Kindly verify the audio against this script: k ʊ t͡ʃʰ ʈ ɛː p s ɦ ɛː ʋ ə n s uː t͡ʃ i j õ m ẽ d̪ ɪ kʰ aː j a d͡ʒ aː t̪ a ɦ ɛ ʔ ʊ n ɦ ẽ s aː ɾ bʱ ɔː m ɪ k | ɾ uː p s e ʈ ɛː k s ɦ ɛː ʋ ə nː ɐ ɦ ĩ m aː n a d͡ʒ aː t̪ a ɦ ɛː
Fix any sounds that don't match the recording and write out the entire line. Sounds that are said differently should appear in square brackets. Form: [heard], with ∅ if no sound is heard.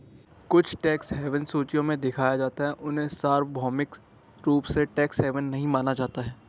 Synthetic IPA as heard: k ʊ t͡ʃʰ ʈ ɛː [k] s ɦ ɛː ʋ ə n s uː t͡ʃ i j õ m ẽ d̪ ɪ kʰ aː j a d͡ʒ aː t̪ a ɦ ɛ ʔ ʊ n ɦ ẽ s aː ɾ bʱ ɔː m ɪ k | ɾ uː p s e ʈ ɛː k s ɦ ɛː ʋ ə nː ɐ ɦ ĩ m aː n a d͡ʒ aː t̪ a ɦ ɛː

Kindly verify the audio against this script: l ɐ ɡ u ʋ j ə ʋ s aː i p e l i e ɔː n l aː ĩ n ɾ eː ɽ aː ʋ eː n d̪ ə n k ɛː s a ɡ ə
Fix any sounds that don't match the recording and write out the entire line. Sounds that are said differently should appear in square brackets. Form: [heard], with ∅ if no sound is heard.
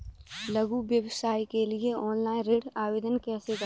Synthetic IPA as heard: l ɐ ɡ u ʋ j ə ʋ s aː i [k] e l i e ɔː n l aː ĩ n ɾ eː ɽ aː ʋ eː [∅] d̪ ə n k ɛː s [e] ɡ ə

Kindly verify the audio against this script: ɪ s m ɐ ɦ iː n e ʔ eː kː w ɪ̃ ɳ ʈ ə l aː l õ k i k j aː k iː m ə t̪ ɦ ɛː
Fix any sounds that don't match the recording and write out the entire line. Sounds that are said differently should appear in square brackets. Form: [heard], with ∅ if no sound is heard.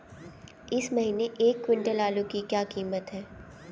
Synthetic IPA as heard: ɪ s m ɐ ɦ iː n e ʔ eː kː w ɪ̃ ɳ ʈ ə l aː l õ k i k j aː k iː m ə t̪ ɦ ɛː

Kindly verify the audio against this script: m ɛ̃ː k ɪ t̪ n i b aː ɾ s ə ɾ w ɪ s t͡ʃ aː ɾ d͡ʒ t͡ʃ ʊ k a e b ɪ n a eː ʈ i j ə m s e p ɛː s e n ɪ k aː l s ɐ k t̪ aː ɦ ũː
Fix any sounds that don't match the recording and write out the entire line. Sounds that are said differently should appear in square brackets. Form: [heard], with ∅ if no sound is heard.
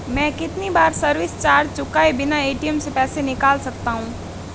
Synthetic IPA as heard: m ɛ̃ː k ɪ t̪ n i b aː ɾ s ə ɾ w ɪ s t͡ʃ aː ɾ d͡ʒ t͡ʃ ʊ k a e b ɪ n a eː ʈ i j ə m s e p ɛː s e n ɪ k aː l s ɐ k t̪ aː ɦ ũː

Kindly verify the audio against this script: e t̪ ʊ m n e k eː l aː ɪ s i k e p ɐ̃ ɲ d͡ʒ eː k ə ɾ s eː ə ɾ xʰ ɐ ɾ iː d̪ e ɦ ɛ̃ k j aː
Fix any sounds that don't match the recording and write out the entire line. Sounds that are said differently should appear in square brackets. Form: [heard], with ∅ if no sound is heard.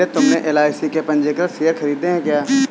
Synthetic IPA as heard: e t̪ ʊ m n e [ʔ] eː l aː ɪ s i k e p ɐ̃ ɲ d͡ʒ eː k ə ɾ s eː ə ɾ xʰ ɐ ɾ iː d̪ e ɦ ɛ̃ k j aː

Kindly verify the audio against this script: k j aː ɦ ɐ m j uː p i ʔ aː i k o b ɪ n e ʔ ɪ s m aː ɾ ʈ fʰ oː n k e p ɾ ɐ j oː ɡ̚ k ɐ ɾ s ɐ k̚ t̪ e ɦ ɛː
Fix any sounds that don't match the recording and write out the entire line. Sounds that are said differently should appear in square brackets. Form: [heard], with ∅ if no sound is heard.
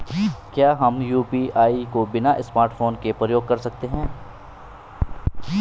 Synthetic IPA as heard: k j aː ɦ ɐ m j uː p i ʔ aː i k o b ɪ n [a] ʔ ɪ s m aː ɾ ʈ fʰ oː n k e p ɾ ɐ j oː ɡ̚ k ɐ ɾ s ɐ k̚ t̪ e ɦ [ɛ̃ː]

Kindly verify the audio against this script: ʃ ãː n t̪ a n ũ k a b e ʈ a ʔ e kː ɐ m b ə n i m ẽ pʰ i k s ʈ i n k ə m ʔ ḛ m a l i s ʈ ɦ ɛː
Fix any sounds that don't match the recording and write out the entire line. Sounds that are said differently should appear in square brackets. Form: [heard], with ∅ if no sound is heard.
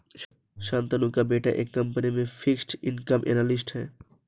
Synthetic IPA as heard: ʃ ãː n t̪ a n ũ k a b e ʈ a ʔ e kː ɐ m [p] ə n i m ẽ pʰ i k s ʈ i n k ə m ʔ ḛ [n] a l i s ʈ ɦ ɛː

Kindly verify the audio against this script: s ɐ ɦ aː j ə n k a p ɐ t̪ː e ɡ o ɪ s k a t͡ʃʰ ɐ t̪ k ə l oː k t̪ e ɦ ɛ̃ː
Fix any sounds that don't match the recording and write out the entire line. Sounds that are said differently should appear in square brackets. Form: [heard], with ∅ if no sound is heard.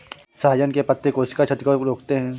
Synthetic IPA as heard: s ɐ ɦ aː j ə n k [e] p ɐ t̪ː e [k] o ɪ s k a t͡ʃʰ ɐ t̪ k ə [ɾ] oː k t̪ e ɦ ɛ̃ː

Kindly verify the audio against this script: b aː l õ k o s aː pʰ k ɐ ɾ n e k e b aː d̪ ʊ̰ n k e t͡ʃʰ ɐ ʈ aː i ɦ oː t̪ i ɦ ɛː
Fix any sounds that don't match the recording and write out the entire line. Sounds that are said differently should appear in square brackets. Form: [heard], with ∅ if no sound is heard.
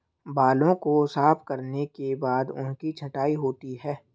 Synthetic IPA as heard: b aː l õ k o s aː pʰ k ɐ ɾ n e k e b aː d̪ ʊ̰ n k [i] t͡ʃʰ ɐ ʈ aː i ɦ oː t̪ i ɦ ɛː

